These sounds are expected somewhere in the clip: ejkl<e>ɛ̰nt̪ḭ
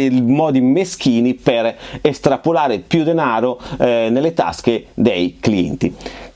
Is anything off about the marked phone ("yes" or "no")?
yes